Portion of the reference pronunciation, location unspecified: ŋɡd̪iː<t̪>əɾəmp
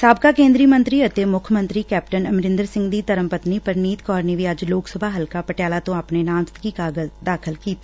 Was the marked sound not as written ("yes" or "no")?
no